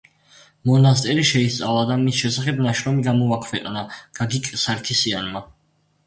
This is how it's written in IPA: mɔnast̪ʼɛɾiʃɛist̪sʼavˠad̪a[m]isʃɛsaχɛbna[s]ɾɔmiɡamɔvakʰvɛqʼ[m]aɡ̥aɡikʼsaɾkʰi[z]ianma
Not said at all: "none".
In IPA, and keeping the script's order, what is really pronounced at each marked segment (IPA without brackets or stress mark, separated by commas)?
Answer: m, ʃ, n, s